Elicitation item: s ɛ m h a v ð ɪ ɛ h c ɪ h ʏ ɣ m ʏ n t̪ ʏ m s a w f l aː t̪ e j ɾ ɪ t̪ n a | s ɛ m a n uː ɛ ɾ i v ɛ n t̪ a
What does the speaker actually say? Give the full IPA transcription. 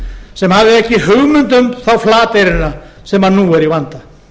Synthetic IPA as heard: s ɛ m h a v ð ɪ ɛ h c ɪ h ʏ ɣ m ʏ n t̪ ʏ m θ a w f l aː t̪ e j ɾ ɪ n a | s ɛ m a n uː ɛ ɾ i v a n t̪ a

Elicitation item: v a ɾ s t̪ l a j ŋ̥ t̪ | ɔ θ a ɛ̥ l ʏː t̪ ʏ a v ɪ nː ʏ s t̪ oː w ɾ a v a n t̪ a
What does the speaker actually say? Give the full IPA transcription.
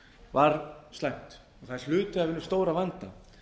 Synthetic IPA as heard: v a ɾ s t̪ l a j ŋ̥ t̪ | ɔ θ a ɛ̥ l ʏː t̪ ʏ a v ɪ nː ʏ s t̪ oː w ɾ a v a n t̪ a

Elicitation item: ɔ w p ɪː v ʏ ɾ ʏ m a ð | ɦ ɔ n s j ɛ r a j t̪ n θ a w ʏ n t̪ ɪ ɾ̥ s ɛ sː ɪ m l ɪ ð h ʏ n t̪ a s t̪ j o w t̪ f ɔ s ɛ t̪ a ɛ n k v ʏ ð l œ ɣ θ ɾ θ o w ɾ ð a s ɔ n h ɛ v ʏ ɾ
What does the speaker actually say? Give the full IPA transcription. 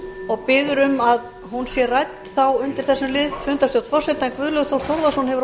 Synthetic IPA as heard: ɔ ɣ p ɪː ð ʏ ɾ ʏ m a ð | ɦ u n s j ɛ r a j t̪ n θ a w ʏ n t̪ ɪ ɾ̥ θ ɛ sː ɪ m l ɪ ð f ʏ n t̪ a s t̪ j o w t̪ f ɔ s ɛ t̪ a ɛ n k v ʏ ð l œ ɣ θ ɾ θ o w ɾ ð a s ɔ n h ɛ v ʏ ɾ

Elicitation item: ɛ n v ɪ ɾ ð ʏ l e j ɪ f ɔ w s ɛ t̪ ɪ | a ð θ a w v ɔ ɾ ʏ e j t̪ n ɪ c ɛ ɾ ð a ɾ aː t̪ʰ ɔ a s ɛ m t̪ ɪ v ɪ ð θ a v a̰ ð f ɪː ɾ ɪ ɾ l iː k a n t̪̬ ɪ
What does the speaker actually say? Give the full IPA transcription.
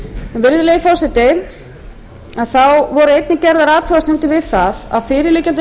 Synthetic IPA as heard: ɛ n v ɪ ɾ ð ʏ l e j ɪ f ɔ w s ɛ t̪ ɪ | a ð θ a w v ɔ ɾ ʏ e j t̪ n ɪ c ɛ ɾ ð a ɾ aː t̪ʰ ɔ a s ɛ m t̪ ɪ v ɪ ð θ a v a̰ ð f ɪː ɾ ɪ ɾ l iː c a n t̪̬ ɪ

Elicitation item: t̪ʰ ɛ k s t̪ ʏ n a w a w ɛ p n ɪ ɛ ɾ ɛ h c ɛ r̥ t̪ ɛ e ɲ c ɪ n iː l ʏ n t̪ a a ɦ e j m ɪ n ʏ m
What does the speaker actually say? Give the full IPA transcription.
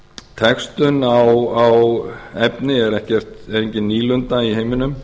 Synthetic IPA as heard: t̪ʰ ɛ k s t̪ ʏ n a w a w ɛ p n ɪ ɛ ɾ ɛ h c ɛ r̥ t̪ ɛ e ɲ c ɪ n iː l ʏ n t̪ a i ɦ e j m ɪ n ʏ m

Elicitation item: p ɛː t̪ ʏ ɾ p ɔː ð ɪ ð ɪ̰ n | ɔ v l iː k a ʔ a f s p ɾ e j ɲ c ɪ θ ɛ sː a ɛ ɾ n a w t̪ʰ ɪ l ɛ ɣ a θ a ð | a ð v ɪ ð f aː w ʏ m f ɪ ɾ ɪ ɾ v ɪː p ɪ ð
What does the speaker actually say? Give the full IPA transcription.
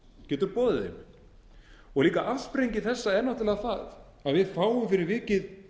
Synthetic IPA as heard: c ɛː t̪ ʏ ɾ p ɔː ð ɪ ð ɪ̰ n | ɔ ɣ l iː k a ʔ a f s p ɾ e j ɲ c ɪ θ ɛ sː a ɛ ɾ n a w t̪ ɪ l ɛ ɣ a θ a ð | a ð v ɪ ð f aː w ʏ m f ɪ ɾ ɪ ɾ v ɪː c ɪ ð

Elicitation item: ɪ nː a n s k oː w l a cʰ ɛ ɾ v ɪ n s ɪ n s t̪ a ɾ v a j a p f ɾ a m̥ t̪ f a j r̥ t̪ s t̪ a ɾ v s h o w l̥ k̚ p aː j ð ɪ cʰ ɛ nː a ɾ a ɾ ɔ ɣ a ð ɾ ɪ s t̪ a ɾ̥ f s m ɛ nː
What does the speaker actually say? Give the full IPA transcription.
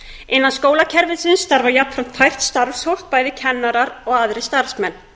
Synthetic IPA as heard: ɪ nː a n s k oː w l a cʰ ɛ ɾ v ɪ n s ɪ n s t̪ a ɾ v a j a p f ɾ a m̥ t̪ f a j r̥ t̪ s t̪ a ɾ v s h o w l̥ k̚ p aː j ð ɪ cʰ ɛ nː a ɾ a ɾ ɔ ɣ a ð ɾ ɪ s t̪ a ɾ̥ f s m ɛ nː

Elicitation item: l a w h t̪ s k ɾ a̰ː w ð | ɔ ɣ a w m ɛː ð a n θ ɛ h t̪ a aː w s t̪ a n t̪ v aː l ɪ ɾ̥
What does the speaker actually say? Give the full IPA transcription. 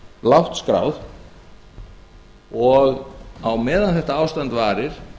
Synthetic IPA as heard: l a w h t̪ s k ɾ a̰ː w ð | ɔ ɣ a w m ɛː ð a n θ ɛ h t̪ a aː w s t̪ a n t̪ v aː ɾ ɪ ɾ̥

